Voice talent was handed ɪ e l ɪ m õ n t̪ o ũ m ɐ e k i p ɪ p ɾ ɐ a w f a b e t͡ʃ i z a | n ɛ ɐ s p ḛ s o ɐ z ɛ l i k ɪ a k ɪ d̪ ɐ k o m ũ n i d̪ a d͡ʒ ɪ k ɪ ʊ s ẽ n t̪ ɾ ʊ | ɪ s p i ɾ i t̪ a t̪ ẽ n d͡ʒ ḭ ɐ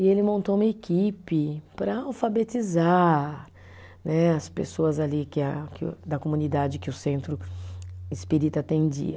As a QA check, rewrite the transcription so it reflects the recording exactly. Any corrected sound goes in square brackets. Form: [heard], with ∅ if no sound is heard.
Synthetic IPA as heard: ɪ e l ɪ m õ n t̪ o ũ m ɐ e k i p ɪ p ɾ ɐ a w f a b e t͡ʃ i z a | n ɛ ɐ s p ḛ s o ɐ z [a] l i k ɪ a k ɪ d̪ ɐ k o m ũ n i d̪ a d͡ʒ ɪ k ɪ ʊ s ẽ n t̪ ɾ ʊ | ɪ s p i ɾ i t̪ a t̪ ẽ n d͡ʒ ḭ ɐ

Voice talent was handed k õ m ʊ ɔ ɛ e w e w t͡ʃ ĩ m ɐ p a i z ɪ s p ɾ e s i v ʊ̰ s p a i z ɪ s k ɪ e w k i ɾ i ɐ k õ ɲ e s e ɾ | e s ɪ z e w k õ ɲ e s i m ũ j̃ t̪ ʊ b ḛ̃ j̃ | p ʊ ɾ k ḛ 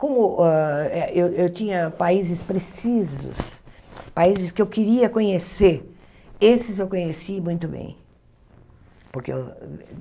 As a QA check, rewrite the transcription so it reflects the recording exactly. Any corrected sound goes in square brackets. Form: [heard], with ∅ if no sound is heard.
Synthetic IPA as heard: k õ m ʊ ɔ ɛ e w e w t͡ʃ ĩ [ɲ] ɐ p a i z ɪ s p ɾ e s i [z] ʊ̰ s p a i z ɪ s k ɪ e w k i ɾ i ɐ k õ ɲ e s e ɾ | e s ɪ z e w k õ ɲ e s i m ũ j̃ t̪ ʊ b ḛ̃ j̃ | p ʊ ɾ k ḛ

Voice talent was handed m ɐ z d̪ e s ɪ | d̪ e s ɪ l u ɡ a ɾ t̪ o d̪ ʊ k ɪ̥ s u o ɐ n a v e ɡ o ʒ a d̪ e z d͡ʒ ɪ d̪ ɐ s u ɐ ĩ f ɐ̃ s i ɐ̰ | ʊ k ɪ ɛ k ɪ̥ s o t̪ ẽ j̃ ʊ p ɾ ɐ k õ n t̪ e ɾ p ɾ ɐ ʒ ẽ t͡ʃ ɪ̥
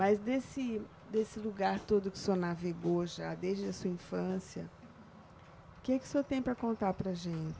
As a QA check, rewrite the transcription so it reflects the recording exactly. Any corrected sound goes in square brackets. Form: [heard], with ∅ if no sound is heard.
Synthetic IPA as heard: m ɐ z d̪ e s ɪ | d̪ e s ɪ l u ɡ a ɾ t̪ o d̪ ʊ k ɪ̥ s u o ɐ n a v e ɡ o ʒ a d̪ e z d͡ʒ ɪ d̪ ɐ s u ɐ ĩ f ɐ̃ s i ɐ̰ | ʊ k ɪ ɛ k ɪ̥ s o t̪ ẽ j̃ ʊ p ɾ ɐ k õ n t̪ [a] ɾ p ɾ ɐ ʒ ẽ t͡ʃ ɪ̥

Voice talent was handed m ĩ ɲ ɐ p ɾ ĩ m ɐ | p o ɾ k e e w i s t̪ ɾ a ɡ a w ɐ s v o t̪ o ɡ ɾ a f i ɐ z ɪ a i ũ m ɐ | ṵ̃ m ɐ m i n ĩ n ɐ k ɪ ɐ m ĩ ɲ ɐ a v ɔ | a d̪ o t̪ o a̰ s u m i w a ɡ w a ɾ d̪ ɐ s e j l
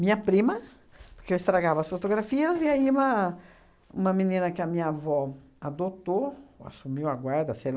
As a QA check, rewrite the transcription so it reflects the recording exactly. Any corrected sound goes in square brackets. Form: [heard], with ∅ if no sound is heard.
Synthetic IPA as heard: m ĩ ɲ ɐ p ɾ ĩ m ɐ | p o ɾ k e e w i s t̪ ɾ a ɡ a [v] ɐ s [f] o t̪ o ɡ ɾ a f i ɐ z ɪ a i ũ m ɐ | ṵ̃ m ɐ m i n ĩ n ɐ k ɪ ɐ m ĩ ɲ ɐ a v ɔ | a d̪ o t̪ o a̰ s u m i w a ɡ w a ɾ d̪ ɐ s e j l

